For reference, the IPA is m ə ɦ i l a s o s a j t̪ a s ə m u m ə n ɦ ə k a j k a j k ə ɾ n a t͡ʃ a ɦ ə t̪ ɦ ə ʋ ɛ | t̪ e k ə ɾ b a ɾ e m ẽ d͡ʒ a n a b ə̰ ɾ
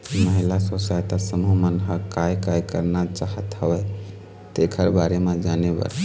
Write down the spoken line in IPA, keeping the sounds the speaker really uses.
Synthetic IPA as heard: m ə ɦ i l a s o s a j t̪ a s ə m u m ə n ɦ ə k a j k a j k ə ɾ n a t͡ʃ a ɦ ə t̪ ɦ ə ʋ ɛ | t̪ e kʰ ə ɾ b a ɾ e m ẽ d͡ʒ a n e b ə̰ ɾ